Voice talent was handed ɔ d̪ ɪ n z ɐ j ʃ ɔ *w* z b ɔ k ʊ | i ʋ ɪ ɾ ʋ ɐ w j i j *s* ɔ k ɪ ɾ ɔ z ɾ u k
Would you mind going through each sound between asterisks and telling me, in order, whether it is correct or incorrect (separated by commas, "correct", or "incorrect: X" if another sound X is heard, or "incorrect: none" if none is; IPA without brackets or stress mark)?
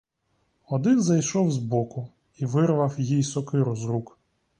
correct, correct